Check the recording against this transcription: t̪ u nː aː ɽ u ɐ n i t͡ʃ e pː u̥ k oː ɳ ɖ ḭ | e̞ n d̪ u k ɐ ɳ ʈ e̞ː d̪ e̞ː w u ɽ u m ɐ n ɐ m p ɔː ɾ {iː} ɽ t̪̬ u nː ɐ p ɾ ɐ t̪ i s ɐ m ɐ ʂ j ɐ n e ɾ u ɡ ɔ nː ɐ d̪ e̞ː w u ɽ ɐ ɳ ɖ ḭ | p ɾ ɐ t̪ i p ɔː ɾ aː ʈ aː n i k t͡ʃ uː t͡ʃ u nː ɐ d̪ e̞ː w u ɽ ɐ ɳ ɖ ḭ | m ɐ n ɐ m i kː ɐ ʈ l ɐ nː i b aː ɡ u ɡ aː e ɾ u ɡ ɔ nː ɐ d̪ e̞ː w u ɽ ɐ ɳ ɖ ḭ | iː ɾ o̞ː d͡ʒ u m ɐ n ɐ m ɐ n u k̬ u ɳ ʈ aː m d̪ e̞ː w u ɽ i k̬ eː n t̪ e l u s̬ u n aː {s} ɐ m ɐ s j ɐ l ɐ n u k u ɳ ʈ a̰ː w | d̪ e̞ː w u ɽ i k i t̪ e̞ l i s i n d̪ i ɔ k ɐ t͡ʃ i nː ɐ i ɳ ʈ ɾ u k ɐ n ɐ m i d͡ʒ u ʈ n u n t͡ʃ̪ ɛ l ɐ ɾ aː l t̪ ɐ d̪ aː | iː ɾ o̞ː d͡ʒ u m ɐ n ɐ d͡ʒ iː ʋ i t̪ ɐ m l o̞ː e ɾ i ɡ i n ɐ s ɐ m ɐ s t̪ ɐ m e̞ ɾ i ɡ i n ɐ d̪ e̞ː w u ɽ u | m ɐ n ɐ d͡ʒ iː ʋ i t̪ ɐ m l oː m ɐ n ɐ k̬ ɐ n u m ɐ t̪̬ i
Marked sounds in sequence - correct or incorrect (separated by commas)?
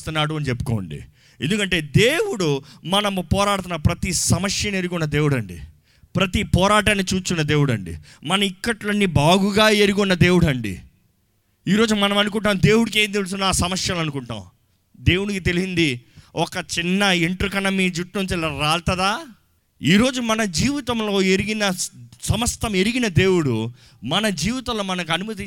incorrect, correct